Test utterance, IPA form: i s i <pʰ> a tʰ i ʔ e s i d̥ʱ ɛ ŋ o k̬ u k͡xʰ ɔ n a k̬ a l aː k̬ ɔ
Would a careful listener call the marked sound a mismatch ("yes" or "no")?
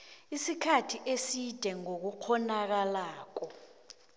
yes